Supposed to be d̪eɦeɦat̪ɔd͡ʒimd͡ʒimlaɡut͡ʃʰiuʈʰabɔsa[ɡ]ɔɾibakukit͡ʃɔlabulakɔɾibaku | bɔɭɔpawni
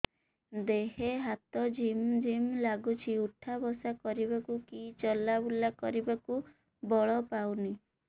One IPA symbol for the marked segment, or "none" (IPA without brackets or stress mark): k